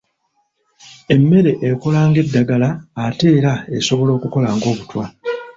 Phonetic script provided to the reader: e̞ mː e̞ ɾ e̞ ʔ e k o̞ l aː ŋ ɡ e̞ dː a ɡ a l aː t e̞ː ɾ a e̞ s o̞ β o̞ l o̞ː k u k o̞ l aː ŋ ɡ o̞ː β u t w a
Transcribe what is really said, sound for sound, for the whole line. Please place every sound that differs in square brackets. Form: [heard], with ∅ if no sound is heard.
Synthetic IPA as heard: e̞ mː e̞ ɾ e̞ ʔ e k o̞ l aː ŋ ɡ e̞ dː a ɡ a l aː t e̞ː ɾ a e̞ s o̞ β o̞ l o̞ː k u k o̞ l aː ŋ ɡ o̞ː β u t w a